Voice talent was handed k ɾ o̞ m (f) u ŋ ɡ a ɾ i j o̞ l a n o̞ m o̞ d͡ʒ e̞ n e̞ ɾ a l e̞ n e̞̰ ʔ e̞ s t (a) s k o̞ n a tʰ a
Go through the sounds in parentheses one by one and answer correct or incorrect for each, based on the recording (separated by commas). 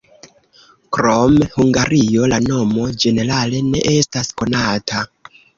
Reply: incorrect, correct